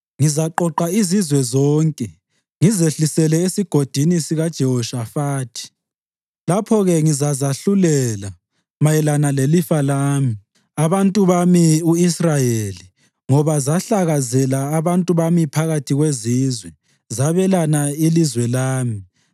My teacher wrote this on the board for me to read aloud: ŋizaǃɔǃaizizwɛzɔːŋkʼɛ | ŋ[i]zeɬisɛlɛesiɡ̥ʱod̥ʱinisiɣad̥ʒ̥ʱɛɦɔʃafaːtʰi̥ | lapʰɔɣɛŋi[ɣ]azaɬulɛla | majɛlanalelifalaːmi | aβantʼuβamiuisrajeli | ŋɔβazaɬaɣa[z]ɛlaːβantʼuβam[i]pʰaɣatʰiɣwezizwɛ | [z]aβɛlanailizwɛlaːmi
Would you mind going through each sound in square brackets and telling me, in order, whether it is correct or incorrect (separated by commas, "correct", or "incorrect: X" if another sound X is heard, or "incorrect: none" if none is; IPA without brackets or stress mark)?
correct, incorrect: z, correct, correct, correct